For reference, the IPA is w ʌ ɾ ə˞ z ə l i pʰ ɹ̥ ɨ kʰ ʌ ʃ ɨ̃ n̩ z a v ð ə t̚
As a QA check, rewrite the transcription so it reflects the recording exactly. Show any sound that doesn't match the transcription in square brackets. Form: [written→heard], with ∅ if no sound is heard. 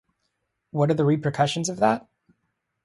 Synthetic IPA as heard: w ʌ ɾ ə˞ [z→ð] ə [l→ɹ] i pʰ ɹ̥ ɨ kʰ ʌ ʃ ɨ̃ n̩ z [a→ʌ] v ð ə t̚